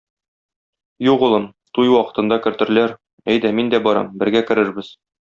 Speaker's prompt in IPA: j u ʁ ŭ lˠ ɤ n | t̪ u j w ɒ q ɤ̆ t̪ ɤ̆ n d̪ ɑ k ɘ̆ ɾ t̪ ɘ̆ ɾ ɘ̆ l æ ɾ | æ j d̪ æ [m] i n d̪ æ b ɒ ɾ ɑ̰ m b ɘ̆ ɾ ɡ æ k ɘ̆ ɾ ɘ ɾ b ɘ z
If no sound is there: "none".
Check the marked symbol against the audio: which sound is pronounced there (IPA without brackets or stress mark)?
m